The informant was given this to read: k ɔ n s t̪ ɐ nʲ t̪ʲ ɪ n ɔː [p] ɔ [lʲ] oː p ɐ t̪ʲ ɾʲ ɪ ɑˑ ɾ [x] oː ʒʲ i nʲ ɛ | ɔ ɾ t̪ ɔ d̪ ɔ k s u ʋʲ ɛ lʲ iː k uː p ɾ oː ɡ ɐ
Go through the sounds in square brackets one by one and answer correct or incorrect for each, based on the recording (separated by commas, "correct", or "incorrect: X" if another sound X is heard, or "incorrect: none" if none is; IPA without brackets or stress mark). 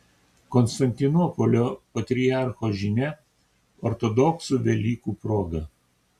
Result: correct, correct, correct